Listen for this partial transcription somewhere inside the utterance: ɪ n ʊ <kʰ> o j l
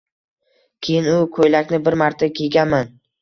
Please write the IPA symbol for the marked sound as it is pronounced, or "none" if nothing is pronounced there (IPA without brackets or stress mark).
kʰ